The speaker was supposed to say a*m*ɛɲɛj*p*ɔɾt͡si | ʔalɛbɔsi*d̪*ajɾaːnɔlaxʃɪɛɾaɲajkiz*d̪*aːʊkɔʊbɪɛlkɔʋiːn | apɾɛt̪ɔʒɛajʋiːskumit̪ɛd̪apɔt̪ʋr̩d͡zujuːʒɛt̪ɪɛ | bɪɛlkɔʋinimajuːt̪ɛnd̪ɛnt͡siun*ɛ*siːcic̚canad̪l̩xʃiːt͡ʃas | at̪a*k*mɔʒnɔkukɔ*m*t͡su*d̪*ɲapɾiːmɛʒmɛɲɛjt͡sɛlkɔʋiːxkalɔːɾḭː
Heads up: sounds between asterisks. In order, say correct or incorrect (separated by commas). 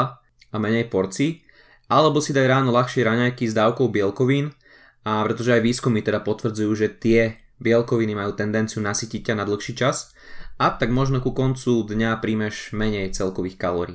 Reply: correct, correct, correct, correct, incorrect, incorrect, incorrect, correct